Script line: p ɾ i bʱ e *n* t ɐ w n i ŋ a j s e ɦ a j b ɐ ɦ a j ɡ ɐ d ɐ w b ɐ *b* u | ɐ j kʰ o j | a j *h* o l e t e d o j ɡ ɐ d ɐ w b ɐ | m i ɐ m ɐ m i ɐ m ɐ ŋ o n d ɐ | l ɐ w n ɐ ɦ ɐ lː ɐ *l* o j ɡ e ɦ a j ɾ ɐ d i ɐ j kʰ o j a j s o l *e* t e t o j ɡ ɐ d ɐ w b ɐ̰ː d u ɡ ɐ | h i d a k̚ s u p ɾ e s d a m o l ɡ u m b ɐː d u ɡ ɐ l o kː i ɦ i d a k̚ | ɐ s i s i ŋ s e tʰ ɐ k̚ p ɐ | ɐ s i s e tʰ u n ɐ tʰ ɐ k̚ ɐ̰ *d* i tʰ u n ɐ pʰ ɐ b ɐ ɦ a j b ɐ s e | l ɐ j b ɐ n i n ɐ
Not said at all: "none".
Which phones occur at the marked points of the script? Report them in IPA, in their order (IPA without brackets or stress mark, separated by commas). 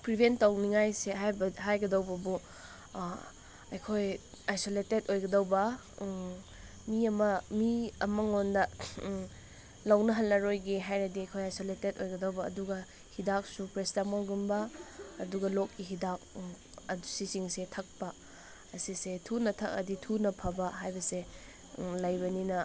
n, b, s, ɾ, e, d